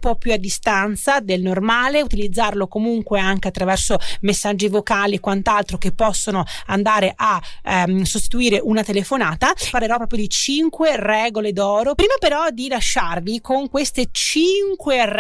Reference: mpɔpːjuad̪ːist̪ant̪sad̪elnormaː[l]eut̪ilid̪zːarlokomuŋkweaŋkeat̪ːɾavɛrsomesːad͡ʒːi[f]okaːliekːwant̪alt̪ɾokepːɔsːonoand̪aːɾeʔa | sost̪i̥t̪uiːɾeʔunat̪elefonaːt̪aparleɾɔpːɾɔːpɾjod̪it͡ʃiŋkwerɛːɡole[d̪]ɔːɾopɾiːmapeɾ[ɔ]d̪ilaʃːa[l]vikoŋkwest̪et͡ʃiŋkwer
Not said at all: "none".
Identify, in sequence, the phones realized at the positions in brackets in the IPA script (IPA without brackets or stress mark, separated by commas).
l, v, d̪, ɔ, r